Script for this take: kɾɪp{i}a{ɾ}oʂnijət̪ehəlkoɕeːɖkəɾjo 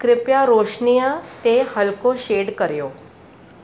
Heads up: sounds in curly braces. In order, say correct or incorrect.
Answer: incorrect: j, correct

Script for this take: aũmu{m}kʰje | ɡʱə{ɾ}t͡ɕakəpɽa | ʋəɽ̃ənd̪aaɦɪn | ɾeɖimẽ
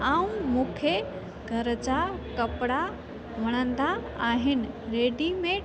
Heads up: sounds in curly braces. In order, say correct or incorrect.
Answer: incorrect: none, correct

